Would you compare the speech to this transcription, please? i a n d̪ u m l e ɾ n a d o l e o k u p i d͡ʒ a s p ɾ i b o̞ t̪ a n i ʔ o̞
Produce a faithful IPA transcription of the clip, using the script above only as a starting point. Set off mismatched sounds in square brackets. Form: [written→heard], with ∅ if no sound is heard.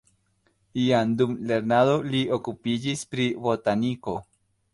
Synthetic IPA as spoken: i a n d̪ u m l e ɾ n a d o l [e→i] o k u p i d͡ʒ [a→i] s p ɾ i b o̞ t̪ a n i [ʔ→k] o̞